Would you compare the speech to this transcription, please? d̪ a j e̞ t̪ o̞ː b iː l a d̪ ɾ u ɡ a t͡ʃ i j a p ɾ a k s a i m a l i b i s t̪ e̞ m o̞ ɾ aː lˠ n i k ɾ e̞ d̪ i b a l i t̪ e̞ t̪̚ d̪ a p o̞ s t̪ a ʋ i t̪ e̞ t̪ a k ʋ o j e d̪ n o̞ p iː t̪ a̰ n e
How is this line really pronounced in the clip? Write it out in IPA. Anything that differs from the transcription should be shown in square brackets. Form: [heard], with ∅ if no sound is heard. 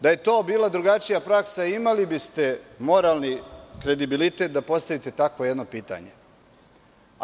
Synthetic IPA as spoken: d̪ a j e̞ t̪ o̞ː b iː l a d̪ ɾ u ɡ a t͡ʃ i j a p ɾ a k s a i m a l i b i s t̪ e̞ m o̞ ɾ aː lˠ n i k ɾ e̞ d̪ i b [i] l i t̪ e̞ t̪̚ d̪ a p o̞ s t̪ a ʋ i t̪ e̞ t̪ a k ʋ o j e d̪ n o̞ p iː t̪ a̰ [ɲ] e

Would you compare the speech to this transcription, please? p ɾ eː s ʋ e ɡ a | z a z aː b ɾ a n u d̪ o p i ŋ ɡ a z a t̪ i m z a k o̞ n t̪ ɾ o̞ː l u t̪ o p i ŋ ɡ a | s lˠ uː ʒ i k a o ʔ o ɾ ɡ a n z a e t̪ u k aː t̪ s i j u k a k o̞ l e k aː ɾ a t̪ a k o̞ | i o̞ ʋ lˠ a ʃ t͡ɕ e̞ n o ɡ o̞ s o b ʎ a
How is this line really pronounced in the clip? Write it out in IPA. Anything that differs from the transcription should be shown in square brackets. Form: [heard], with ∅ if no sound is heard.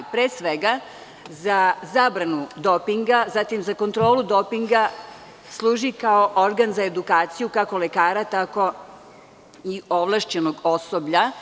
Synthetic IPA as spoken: p ɾ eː s ʋ e ɡ a | z a z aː b ɾ a n u d̪ o p i ŋ ɡ a z a t̪ i m z a k o̞ n t̪ ɾ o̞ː l u [d̪] o p i ŋ ɡ a | s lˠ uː ʒ i k a o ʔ o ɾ ɡ a n z a e [d̪] u k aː t̪ s i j u k a k o̞ l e k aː ɾ a t̪ a k o̞ | i o̞ ʋ lˠ a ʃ t͡ɕ e̞ n o ɡ o̞ s o b ʎ a

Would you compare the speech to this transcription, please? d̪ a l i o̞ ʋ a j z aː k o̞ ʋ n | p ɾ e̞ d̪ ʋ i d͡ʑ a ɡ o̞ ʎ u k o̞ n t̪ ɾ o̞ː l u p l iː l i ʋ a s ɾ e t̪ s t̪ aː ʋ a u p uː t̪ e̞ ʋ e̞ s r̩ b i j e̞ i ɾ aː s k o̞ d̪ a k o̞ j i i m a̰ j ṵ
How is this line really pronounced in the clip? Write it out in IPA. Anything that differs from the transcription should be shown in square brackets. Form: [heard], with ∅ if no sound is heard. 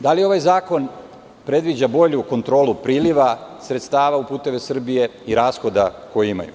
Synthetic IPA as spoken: d̪ a l i o̞ ʋ a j z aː k o̞ [∅] n | p ɾ e̞ d̪ ʋ i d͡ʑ a [b] o̞ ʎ u k o̞ n t̪ ɾ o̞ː l u p [ɾ] iː l i ʋ a s ɾ e t̪ s t̪ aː ʋ a u p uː t̪ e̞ ʋ e̞ s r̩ b i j e̞ i ɾ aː s [x] o̞ d̪ a k o̞ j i i m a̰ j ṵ

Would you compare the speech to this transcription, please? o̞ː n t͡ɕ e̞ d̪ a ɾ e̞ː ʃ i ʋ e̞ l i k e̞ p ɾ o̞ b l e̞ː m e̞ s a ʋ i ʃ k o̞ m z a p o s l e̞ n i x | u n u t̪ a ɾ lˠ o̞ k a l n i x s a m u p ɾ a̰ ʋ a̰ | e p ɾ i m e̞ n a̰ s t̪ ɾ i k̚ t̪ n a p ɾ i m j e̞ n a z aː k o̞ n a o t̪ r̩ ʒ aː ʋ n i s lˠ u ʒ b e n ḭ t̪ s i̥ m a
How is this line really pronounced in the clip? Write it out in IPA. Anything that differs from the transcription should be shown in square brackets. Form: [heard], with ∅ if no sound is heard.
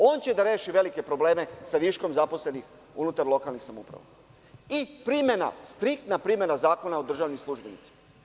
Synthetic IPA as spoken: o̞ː n t͡ɕ e̞ d̪ a ɾ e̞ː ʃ i ʋ e̞ l i k e̞ p ɾ o̞ b l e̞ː m e̞ s a ʋ i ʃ k o̞ m z a p o s l e̞ n i x | u n u t̪ a ɾ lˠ o̞ k a l n i x s a m u p ɾ a̰ ʋ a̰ | [i] p ɾ i m e̞ n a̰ s t̪ ɾ i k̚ t̪ n a p ɾ i m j e̞ n a z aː k o̞ n a o [d̪] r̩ ʒ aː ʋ n i s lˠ u ʒ b e n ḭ t̪ s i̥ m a

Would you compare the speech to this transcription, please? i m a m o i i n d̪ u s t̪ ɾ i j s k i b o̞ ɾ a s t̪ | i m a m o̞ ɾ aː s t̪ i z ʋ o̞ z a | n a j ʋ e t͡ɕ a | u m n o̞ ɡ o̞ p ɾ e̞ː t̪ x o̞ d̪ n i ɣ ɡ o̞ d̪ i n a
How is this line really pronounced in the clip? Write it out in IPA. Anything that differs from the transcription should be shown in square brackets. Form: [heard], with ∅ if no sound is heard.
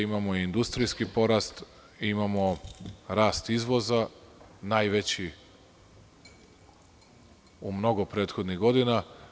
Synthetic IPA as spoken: i m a m o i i n d̪ u s t̪ ɾ i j s k i [p] o̞ ɾ a s t̪ | i m a m o̞ ɾ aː s t̪ i z ʋ o̞ z a | n a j ʋ e t͡ɕ [i] | u m n o̞ ɡ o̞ p ɾ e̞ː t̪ x o̞ d̪ n i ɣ ɡ o̞ d̪ i n a

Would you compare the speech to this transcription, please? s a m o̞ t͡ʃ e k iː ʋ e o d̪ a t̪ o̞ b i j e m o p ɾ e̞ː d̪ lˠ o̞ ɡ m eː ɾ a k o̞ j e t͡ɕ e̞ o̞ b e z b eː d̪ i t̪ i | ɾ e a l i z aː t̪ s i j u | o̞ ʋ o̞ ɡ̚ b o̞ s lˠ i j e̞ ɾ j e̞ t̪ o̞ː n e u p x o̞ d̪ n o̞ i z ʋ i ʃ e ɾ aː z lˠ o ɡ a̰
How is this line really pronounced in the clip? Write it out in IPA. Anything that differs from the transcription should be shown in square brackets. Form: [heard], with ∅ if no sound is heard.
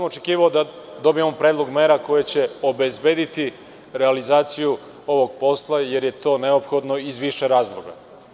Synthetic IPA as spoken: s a m o̞ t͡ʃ e k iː ʋ [a] o d̪ a [d̪] o̞ b i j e m o p ɾ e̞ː d̪ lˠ o̞ ɡ m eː ɾ a k o̞ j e t͡ɕ e̞ o̞ b e z b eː d̪ i t̪ i | ɾ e a l i z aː t̪ s i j u | o̞ ʋ o̞ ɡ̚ [p] o̞ s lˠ [a] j e̞ ɾ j e̞ t̪ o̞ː n e [o] p x o̞ d̪ n o̞ i z ʋ i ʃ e ɾ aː z lˠ o ɡ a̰

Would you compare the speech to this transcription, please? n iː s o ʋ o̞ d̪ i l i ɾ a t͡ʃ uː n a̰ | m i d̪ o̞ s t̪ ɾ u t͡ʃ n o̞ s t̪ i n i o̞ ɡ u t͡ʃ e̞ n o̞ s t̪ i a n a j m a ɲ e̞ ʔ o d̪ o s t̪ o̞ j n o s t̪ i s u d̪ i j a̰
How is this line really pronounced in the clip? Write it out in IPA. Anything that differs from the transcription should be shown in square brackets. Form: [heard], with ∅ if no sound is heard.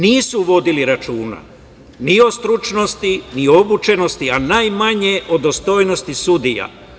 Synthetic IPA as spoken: n iː s [u] ʋ o̞ d̪ i l i ɾ a t͡ʃ uː n a̰ | [n] i [∅] o̞ s t̪ ɾ u t͡ʃ n o̞ s t̪ i n i o̞ [b] u t͡ʃ e̞ n o̞ s t̪ i a n a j m a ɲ e̞ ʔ o d̪ o s t̪ o̞ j n o s t̪ i s u d̪ i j a̰

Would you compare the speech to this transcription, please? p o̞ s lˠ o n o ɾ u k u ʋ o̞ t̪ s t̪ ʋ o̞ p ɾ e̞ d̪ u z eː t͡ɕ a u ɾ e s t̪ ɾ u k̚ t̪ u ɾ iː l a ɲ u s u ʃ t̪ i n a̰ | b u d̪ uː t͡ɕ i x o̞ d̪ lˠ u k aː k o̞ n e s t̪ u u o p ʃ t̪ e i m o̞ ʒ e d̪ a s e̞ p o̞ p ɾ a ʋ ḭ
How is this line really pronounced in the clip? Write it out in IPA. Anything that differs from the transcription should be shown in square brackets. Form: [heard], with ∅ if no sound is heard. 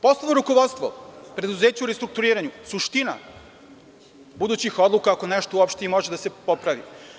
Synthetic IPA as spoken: p o̞ s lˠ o n o ɾ u k [o] ʋ o̞ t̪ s t̪ ʋ o̞ p ɾ e̞ d̪ u z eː t͡ɕ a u ɾ e s t̪ ɾ u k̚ t̪ u ɾ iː [ɾ] a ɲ u s u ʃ t̪ i n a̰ | b u d̪ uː t͡ɕ i x o̞ d̪ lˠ u k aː k o̞ n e [ʃ] t̪ [o] u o p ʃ t̪ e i m o̞ ʒ e d̪ a s e̞ p o̞ p ɾ a ʋ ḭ

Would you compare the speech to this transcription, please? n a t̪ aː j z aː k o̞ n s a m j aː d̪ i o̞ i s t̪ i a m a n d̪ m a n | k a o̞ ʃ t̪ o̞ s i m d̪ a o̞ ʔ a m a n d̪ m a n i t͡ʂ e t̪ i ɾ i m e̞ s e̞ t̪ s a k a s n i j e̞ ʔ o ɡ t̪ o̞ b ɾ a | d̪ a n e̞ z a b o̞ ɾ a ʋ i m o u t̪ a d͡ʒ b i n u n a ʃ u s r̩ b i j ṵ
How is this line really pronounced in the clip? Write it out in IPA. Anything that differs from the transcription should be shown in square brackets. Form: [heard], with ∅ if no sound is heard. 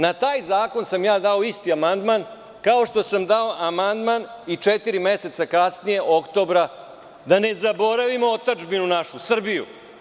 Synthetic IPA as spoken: n a t̪ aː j z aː k o̞ n s a m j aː d̪ [a] o̞ i s t̪ i a m a n d̪ m a n | k a o̞ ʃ t̪ o̞ s [a] m d̪ a o̞ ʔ a m a n d̪ m a n i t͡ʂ e t̪ i ɾ i m e̞ s e̞ t̪ s a k a s n i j e̞ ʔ o [k] t̪ o̞ b ɾ a | d̪ a n e̞ z a b o̞ ɾ a ʋ i m o [o] t̪ a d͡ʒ b i n u n a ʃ u s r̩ b i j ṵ

